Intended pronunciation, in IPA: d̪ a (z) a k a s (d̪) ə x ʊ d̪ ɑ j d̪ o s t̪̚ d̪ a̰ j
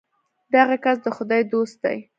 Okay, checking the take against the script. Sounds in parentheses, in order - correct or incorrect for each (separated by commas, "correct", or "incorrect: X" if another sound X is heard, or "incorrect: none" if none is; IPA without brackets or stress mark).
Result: incorrect: ɣ, correct